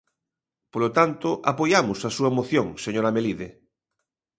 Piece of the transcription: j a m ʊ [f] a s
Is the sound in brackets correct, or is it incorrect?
incorrect